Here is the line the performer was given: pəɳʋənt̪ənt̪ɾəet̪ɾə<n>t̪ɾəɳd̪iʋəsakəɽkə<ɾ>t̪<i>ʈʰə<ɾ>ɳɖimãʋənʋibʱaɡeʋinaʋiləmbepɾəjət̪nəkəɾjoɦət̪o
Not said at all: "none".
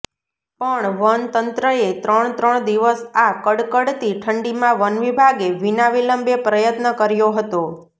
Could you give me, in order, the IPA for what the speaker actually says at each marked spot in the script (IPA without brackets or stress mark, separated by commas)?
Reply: ɳ, ɽ, i, none